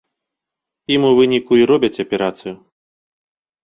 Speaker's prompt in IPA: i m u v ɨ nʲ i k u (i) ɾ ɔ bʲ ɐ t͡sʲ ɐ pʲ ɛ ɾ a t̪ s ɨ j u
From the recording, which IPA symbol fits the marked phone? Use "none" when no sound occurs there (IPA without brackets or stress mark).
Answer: i